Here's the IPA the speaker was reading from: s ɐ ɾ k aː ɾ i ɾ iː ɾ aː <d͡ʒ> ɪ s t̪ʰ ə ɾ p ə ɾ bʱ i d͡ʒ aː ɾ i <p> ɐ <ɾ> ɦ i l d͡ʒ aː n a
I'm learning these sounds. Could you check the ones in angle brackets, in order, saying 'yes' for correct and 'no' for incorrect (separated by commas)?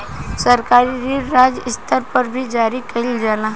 yes, no, no